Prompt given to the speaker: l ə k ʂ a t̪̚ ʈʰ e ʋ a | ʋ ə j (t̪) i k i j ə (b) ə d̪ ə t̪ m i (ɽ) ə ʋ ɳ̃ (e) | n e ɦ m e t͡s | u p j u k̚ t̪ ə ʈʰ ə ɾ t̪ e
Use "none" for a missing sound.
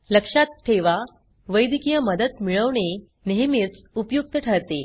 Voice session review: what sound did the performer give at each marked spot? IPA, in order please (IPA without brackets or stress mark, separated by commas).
d̪, m, ɭ, e